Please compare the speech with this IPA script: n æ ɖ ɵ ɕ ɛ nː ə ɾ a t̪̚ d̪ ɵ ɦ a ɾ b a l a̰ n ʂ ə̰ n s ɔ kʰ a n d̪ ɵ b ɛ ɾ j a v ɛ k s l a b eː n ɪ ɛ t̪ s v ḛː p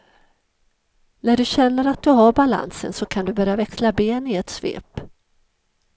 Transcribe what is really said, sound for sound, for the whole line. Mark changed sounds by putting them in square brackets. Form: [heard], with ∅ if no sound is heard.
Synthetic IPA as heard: n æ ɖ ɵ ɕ ɛ nː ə ɾ a t̪̚ d̪ ɵ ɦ a ɾ b a l a̰ n [s] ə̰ n s ɔ kʰ a n d̪ ɵ b [œ] ɾ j a v ɛ k s l a b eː n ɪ ɛ t̪ s v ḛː p